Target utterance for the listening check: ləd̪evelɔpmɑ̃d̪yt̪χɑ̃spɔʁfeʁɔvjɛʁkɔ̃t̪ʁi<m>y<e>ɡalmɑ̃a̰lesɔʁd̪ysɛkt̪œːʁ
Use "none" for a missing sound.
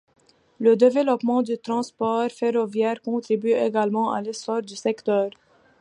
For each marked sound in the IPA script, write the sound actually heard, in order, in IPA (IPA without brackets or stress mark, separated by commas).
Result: b, e